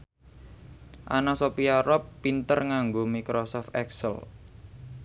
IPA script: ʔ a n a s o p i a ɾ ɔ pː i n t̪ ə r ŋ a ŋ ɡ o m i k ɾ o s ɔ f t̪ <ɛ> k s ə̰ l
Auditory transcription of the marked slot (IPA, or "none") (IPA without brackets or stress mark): ɛ